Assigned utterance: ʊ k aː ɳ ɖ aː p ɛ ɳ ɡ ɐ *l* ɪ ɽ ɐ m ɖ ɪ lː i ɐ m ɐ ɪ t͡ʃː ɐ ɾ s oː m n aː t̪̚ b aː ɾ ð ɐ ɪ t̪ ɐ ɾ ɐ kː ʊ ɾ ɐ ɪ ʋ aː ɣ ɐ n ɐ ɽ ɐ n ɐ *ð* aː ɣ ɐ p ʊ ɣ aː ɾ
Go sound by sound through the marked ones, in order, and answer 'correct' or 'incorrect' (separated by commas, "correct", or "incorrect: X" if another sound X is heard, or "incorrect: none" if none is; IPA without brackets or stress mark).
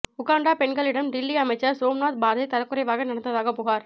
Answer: incorrect: ɭ, correct